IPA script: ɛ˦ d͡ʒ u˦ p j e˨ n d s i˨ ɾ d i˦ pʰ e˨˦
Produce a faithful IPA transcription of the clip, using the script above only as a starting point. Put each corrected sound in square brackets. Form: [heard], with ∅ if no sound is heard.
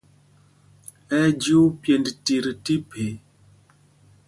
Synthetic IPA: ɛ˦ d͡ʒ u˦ p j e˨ n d [t] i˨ ɾ [t] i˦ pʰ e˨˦